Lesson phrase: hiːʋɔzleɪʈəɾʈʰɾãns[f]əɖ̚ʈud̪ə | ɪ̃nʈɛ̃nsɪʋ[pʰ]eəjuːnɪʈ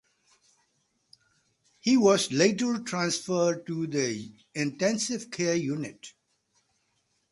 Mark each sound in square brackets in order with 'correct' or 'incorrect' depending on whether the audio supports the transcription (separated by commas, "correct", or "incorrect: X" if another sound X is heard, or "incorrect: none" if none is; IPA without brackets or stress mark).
correct, incorrect: kʰ